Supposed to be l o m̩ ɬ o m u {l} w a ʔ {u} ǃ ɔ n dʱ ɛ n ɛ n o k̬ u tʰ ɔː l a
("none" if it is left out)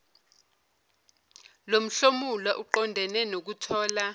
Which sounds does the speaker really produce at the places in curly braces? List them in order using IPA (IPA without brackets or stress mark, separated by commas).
l, u